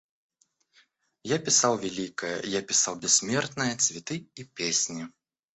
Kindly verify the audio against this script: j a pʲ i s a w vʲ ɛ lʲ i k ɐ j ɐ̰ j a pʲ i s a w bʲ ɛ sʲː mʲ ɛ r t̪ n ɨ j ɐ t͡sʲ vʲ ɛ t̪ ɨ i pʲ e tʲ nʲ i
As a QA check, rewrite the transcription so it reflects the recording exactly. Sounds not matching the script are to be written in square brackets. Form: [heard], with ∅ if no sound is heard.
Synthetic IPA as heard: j a pʲ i s a w vʲ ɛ lʲ i k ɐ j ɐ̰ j a pʲ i s a w bʲ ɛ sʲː mʲ ɛ r t̪ n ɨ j ɐ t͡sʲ vʲ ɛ t̪ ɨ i pʲ e [sʲ] nʲ i